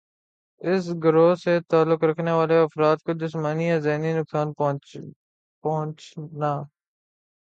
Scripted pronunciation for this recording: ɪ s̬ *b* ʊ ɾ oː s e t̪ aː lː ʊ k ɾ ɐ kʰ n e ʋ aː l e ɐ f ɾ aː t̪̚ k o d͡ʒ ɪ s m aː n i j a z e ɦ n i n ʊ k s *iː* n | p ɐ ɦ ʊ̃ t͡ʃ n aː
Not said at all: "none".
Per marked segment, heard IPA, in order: ɡ, aː

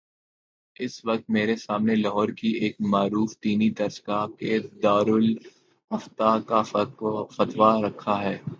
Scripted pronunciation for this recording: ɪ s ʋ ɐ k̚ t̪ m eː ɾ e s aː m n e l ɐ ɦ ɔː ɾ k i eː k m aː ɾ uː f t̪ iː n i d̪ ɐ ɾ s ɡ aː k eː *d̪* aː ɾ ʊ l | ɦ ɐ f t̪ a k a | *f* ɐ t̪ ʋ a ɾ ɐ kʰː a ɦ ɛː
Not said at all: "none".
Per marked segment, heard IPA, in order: d̪, f

